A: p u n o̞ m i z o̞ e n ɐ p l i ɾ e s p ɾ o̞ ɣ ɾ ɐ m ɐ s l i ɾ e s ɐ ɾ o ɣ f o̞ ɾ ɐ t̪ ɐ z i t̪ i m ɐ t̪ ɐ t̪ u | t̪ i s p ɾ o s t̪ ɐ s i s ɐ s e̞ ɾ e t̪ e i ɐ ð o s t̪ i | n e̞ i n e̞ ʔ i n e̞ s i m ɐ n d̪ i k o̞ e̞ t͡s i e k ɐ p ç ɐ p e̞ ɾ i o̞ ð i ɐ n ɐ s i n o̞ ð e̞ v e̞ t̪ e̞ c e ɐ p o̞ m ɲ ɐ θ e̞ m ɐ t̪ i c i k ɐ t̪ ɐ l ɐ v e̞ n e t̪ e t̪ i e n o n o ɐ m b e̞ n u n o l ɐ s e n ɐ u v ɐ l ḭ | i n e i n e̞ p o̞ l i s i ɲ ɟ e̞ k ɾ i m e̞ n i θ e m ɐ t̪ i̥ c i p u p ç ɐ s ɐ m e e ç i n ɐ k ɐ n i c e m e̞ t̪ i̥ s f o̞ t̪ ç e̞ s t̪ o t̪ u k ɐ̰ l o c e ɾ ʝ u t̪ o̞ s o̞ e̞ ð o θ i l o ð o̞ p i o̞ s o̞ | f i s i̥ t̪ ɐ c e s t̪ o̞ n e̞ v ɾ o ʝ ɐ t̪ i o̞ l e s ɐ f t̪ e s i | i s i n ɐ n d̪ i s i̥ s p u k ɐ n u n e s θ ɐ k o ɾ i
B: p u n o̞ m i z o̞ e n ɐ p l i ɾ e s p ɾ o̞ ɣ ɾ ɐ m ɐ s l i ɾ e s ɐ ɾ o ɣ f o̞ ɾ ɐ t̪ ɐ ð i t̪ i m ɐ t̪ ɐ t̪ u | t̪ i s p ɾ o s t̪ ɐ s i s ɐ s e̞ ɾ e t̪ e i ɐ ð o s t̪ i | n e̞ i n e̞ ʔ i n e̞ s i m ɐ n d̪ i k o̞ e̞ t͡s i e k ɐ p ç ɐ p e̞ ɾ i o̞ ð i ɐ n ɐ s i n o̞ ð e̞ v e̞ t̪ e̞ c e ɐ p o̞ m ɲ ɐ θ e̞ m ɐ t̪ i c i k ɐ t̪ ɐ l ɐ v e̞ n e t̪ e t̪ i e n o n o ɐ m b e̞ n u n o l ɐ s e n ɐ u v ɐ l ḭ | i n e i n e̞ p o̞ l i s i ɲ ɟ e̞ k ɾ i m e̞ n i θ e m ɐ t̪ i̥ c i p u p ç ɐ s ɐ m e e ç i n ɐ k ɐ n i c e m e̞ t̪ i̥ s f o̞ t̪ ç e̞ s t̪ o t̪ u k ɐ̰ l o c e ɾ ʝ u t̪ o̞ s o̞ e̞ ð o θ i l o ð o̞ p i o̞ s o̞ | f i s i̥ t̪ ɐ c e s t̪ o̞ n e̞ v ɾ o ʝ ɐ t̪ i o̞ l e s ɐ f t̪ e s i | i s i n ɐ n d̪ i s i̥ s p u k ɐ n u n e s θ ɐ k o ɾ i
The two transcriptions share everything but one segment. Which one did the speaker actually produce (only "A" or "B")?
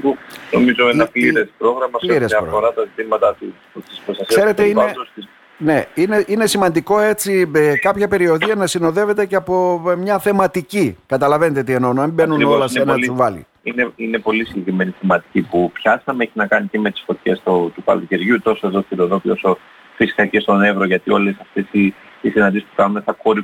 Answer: A